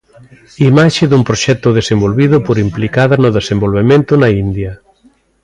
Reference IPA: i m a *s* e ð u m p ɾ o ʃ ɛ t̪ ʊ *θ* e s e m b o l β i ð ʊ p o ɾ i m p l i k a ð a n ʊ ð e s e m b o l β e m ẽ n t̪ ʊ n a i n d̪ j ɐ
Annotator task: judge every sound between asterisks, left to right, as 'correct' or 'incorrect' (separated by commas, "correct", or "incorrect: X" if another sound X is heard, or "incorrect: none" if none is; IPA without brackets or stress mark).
incorrect: ʃ, incorrect: ð